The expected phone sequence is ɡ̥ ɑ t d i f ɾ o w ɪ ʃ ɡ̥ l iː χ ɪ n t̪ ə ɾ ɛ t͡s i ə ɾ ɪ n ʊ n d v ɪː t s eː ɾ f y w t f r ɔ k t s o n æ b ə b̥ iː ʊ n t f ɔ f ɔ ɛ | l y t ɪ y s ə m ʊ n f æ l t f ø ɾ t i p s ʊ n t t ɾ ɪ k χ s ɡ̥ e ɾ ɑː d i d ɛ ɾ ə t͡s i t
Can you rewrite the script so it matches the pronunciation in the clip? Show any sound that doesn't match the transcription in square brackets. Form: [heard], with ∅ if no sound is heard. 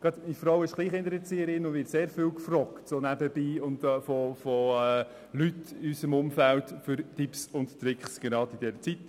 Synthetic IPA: ɡ̥ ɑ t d i f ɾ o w ɪ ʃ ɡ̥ l iː χ ɪ n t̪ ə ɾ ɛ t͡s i ə ɾ ɪ n ʊ n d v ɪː t s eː ɾ f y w [k] f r ɔ k t s o n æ b ə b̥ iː ʊ n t f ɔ f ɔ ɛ | l y t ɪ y s ə m ʊ [m] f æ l t f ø ɾ t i p s ʊ n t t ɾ ɪ k χ s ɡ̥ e ɾ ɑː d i d ɛ ɾ ə t͡s i t

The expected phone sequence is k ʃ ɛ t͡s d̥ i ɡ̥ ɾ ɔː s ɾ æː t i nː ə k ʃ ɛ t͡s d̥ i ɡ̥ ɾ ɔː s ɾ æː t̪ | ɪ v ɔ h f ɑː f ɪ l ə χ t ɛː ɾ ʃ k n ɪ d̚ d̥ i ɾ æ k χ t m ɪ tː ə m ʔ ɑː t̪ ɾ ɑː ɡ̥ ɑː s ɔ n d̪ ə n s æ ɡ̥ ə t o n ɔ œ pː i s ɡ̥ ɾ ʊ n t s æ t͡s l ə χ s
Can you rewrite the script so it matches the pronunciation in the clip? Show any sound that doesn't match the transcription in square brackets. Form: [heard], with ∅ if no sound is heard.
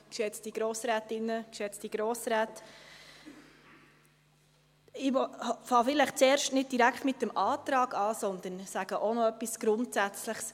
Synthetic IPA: k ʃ ɛ t͡s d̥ i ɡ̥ ɾ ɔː s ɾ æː t [ɪ] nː ə k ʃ ɛ t͡s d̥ i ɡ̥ ɾ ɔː s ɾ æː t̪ | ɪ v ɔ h f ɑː f ɪ l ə χ [t͡s] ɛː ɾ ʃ [t] n ɪ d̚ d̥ i ɾ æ k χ t m ɪ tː ə m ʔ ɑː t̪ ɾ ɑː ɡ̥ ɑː s ɔ n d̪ ə n s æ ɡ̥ ə [ʔ] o n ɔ œ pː i s ɡ̥ ɾ ʊ n t s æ t͡s l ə χ s

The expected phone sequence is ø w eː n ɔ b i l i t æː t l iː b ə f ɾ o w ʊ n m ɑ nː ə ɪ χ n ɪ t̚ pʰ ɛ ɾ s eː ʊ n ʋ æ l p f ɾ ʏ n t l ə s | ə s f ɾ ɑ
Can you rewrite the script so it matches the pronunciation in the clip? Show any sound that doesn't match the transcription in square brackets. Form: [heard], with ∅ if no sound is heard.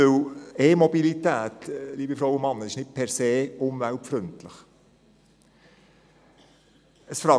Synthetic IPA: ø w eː [m] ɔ b i l i t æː t l iː b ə f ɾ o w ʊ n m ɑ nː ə ɪ [ʃ] n ɪ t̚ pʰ ɛ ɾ s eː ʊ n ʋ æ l p f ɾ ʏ n t l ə [χ] | ə s f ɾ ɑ

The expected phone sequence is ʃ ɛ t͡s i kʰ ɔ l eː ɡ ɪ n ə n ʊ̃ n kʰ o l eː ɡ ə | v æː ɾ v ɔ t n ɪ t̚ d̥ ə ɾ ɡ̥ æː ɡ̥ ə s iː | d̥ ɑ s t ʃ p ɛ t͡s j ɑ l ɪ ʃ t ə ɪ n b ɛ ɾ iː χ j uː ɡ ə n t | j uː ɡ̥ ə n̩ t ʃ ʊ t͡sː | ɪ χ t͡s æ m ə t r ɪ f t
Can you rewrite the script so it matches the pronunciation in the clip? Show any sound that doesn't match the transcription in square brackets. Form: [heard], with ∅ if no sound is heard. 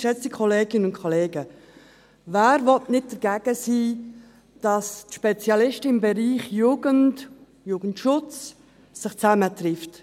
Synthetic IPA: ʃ ɛ t͡s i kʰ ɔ l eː ɡ ɪ n ə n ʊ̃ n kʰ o l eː ɡ ə | v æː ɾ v ɔ t n ɪ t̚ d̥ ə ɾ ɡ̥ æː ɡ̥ ə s iː | d̥ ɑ s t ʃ p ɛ t͡s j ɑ l ɪ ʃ t ə ɪ [m] b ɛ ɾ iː χ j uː ɡ ə n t | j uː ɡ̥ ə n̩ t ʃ ʊ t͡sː | ɪ χ t͡s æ m ə t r ɪ f t

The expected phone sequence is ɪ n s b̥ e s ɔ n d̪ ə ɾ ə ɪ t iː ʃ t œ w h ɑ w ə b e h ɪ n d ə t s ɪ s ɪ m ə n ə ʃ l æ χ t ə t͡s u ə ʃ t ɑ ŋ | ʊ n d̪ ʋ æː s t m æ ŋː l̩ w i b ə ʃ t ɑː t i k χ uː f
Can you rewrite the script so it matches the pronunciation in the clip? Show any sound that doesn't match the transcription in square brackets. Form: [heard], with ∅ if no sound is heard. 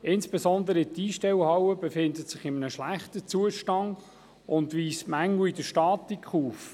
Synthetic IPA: ɪ n s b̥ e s ɔ n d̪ ə ɾ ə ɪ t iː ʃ t [ɛ] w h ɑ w ə b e [f] ɪ n d ə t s ɪ [χ] ɪ m ə n ə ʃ l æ χ t ə t͡s u ə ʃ t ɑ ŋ | ʊ n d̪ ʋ [iː] s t m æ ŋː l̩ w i [d] ə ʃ t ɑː t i k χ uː f

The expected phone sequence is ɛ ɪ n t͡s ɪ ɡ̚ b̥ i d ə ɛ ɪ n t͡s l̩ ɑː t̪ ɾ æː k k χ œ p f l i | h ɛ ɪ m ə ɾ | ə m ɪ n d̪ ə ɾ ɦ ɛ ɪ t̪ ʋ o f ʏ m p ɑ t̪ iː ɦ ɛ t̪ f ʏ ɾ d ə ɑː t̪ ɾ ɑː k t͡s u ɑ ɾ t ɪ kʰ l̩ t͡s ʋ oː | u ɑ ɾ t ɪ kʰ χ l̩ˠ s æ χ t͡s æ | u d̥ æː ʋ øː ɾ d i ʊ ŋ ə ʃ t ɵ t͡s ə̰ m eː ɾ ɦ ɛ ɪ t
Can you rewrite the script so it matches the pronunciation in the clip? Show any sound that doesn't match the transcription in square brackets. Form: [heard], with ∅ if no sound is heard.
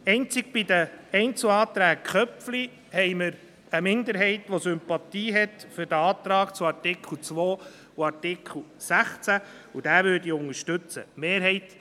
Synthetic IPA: ɛ ɪ n t͡s ɪ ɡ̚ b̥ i d ə ɛ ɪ n t͡s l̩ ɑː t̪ ɾ æː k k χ œ p f l i | h ɛ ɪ m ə ɾ | ə m ɪ n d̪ ə ɾ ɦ ɛ ɪ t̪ ʋ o [s] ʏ m p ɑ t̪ iː ɦ ɛ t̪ f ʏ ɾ d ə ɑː t̪ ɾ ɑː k t͡s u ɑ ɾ t ɪ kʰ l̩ t͡s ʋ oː | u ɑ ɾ t ɪ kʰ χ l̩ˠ s æ χ t͡s æ | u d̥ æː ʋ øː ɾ d i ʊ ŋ ə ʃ t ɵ t͡s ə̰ m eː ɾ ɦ ɛ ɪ t

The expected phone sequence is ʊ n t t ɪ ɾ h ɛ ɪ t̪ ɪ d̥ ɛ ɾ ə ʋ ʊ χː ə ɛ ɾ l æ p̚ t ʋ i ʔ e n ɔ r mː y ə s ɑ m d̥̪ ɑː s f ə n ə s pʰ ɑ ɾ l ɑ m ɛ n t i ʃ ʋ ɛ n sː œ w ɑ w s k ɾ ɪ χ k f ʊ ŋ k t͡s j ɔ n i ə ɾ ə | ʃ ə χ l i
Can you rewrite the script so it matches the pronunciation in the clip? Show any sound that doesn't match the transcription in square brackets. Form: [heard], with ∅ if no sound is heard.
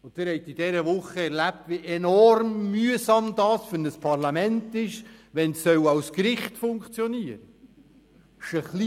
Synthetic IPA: ʊ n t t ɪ ɾ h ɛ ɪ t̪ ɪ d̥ ɛ ɾ ə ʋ ʊ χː ə ɛ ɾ l æ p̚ t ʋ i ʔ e n ɔ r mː y ə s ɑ m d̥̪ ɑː s f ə n ə s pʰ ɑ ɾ l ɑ m ɛ n t [ɪ] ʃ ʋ ɛ n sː œ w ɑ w s k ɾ ɪ χ [t] f ʊ ŋ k t͡s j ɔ n i ə ɾ ə | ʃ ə χ l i

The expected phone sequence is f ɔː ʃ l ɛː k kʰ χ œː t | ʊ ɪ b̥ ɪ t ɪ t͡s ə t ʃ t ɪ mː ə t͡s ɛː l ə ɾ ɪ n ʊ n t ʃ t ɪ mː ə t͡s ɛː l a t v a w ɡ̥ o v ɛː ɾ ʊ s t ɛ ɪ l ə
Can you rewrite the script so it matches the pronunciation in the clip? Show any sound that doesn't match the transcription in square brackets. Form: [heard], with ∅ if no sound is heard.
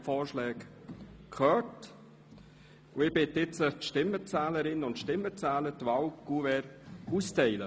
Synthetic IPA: f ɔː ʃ l ɛː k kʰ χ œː t | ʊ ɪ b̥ ɪ t ɪ t͡s ə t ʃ t ɪ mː ə t͡s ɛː l ə ɾ ɪ n ʊ n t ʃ t ɪ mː ə t͡s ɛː l [ə] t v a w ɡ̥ [u] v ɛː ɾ [u] s t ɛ ɪ l ə

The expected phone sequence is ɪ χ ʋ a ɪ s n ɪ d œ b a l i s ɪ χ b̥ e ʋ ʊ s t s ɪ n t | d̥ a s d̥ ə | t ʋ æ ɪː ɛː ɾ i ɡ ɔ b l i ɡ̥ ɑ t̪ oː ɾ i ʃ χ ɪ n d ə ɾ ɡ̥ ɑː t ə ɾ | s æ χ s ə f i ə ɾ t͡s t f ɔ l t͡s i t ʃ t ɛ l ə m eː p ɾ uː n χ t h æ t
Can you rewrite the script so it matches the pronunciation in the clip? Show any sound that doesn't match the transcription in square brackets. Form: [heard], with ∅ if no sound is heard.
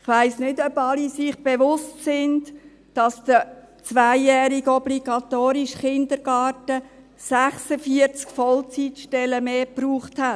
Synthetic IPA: ɪ χ ʋ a ɪ s n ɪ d œ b [ɑ] l i s ɪ χ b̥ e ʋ ʊ s t s ɪ n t | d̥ [ɑ] s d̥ ə | [t͡s] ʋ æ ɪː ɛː ɾ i ɡ ɔ b l i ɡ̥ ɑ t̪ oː ɾ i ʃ χ ɪ n d ə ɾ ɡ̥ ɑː t ə [∅] | s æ χ s ə f i ə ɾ t͡s [k] f ɔ l t͡s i t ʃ t ɛ l ə m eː p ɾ uː [∅] χ t h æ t

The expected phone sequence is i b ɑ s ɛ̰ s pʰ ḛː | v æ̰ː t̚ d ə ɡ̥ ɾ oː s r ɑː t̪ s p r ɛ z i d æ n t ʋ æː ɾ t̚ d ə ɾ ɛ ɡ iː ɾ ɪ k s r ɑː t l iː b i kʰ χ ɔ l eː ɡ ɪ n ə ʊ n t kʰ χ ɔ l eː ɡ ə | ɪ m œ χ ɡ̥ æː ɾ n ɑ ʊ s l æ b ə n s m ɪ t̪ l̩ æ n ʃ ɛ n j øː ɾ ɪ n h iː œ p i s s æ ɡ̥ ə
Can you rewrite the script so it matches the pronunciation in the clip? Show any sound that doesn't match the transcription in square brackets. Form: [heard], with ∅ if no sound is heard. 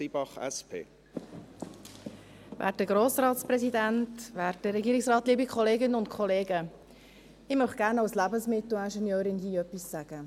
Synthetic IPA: i b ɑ [χ] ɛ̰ s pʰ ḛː | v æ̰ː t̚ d ə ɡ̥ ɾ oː s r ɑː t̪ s p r ɛ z i d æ n t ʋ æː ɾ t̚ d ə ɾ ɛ ɡ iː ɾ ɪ k s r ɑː t l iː b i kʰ χ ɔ l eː ɡ ɪ n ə ʊ n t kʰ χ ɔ l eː ɡ ə | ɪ m œ χ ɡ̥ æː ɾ n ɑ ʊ s l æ b ə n s m ɪ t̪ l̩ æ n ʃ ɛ n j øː ɾ ɪ n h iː œ p i s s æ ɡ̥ ə

